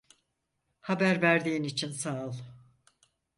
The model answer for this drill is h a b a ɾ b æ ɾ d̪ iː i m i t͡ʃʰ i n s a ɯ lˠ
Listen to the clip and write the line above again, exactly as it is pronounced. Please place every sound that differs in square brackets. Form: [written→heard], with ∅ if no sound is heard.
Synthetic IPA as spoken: h a b [a→æ] ɾ [b→v] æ ɾ d̪ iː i [m→n] i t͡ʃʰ i n s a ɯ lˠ